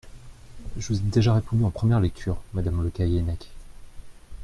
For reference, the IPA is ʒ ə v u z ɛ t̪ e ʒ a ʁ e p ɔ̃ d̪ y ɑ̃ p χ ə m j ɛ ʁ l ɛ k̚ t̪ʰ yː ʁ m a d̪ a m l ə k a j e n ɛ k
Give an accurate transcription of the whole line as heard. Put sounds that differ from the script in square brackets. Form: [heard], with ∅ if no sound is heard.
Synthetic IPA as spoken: ʒ ə v u z ɛ [d̪] e ʒ a ʁ e p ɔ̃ d̪ y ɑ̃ p χ ə m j ɛ ʁ l ɛ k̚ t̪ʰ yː ʁ m a d̪ a m l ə k a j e n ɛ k